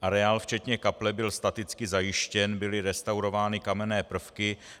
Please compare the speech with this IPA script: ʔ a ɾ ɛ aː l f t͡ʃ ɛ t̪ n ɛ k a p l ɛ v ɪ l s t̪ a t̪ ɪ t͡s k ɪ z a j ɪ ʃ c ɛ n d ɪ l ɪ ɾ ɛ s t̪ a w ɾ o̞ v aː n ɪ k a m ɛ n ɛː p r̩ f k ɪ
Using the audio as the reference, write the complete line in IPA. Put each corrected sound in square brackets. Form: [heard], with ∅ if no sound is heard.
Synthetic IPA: ʔ a ɾ ɛ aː l f t͡ʃ ɛ t̪ [ɲ] ɛ k a p l ɛ [b] ɪ l s t̪ a t̪ ɪ t͡s k ɪ z a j ɪ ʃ c ɛ n [b] ɪ l ɪ ɾ ɛ s t̪ a w ɾ o̞ v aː n ɪ k a m ɛ n ɛː p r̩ f k ɪ